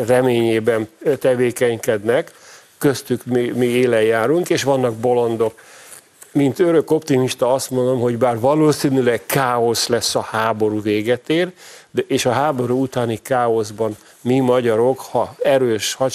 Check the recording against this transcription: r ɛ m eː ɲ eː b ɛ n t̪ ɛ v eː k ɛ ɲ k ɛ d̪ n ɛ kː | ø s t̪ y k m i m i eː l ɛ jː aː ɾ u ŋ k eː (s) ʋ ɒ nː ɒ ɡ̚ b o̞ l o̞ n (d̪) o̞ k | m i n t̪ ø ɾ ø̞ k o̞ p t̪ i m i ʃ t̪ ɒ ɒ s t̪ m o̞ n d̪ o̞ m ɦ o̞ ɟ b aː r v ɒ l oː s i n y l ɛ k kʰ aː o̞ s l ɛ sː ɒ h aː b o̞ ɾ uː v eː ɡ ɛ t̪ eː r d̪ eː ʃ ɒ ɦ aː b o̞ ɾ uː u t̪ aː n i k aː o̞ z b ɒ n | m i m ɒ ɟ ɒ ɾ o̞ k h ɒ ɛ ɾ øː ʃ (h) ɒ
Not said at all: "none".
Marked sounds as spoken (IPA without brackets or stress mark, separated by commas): ʃ, d̪, h